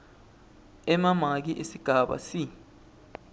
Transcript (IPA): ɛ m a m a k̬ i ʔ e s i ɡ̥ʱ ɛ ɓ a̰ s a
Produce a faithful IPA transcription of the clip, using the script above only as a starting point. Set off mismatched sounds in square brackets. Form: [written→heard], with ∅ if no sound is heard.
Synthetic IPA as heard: ɛ m a m a k̬ i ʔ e s i ɡ̥ʱ [ɛ→a] ɓ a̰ s [a→i]